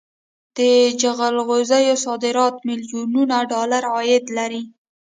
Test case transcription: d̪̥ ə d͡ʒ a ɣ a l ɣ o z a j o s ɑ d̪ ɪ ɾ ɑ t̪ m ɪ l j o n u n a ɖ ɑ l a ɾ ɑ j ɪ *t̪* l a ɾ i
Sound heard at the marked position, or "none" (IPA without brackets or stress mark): d̪